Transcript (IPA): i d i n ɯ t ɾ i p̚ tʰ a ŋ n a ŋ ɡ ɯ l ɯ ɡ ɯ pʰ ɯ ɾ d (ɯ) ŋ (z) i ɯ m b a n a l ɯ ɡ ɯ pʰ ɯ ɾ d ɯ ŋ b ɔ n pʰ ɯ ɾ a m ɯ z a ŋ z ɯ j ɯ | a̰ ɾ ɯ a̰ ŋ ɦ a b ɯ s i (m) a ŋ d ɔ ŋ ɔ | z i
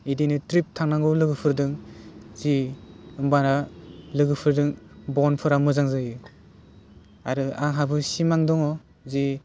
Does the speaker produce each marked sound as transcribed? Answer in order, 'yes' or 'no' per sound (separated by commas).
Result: yes, yes, yes